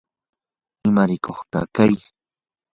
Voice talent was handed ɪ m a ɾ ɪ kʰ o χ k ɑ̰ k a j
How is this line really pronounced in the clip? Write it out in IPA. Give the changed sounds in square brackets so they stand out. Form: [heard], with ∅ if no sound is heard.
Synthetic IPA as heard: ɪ m a ɾ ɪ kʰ o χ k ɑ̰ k a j